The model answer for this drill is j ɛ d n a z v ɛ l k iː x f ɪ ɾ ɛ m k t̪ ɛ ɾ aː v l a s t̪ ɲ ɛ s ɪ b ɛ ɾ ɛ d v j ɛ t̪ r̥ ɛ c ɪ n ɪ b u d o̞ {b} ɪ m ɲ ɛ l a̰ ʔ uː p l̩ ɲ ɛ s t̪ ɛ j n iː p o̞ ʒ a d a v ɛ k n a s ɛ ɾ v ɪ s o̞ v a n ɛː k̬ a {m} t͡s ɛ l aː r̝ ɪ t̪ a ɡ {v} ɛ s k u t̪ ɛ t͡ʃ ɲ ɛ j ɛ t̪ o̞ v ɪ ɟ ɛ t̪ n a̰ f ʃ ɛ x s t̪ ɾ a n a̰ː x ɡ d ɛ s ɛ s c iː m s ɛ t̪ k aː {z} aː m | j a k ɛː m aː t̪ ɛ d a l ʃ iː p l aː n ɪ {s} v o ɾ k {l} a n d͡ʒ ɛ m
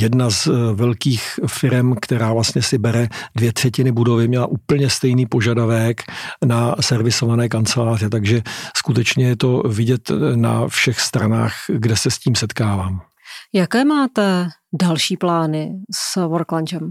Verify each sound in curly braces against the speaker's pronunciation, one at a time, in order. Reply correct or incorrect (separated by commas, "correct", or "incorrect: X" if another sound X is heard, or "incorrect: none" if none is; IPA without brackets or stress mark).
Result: incorrect: v, incorrect: n, incorrect: ʒ, incorrect: v, correct, correct